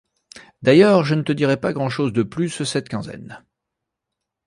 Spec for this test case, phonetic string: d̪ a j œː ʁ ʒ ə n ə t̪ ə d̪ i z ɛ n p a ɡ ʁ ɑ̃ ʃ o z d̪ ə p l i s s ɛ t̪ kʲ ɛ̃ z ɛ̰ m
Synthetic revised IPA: d̪ a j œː ʁ ʒ ə n ə t̪ ə d̪ i ʁ ɛ p a ɡ ʁ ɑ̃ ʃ o z d̪ ə p l y s s ɛ t̪ kʲ ɛ̃ z ɛ̰ n